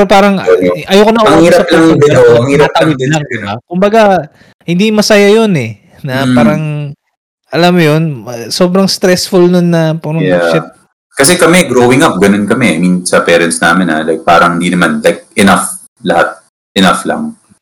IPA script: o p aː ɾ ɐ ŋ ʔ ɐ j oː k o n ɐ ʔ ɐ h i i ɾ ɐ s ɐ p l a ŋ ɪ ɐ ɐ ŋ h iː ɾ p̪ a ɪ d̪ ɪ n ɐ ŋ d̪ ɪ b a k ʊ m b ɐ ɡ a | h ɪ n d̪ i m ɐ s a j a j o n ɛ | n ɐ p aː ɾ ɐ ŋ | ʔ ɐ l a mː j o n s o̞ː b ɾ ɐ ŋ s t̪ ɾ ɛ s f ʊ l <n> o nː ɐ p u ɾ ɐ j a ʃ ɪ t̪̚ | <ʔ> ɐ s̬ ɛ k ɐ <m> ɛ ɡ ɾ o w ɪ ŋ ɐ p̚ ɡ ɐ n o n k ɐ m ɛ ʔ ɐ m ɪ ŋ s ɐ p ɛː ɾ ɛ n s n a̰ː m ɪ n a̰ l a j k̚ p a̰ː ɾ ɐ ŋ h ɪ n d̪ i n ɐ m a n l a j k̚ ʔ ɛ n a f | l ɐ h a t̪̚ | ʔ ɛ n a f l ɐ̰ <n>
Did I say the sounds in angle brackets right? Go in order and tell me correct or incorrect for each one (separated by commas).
correct, incorrect, correct, incorrect